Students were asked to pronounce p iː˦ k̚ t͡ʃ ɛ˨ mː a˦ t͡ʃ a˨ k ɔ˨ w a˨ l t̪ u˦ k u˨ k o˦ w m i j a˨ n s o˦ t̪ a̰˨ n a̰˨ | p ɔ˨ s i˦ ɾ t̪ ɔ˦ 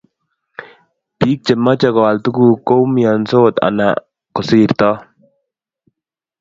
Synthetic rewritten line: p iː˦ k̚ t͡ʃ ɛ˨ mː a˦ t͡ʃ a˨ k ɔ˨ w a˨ l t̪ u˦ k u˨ k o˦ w m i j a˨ n s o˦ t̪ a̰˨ n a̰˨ | k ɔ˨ s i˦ ɾ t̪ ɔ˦